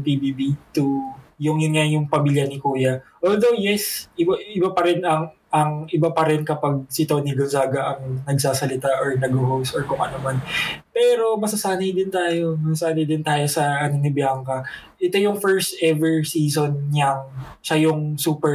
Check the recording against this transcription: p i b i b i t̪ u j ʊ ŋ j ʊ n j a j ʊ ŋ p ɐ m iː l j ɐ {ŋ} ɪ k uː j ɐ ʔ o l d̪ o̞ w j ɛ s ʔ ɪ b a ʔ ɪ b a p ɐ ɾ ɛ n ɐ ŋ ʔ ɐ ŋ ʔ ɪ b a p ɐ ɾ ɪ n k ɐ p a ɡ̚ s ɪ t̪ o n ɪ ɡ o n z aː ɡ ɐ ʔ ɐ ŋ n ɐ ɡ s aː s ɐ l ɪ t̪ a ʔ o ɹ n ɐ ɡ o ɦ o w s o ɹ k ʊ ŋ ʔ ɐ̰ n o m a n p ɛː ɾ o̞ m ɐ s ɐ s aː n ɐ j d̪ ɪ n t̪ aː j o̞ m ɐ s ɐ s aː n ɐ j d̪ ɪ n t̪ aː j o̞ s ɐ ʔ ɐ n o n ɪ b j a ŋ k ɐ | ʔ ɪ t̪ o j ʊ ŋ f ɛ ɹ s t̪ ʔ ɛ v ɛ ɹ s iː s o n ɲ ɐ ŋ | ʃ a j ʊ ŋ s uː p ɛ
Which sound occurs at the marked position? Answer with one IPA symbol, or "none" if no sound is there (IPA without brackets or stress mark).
n